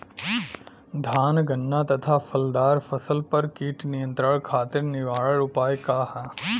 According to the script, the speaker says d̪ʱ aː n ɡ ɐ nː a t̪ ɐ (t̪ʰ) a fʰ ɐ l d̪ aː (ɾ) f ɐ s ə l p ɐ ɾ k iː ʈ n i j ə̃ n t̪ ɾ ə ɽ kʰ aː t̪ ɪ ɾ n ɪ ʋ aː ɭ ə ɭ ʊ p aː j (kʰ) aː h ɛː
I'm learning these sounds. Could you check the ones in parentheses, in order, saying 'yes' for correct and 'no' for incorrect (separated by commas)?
yes, yes, no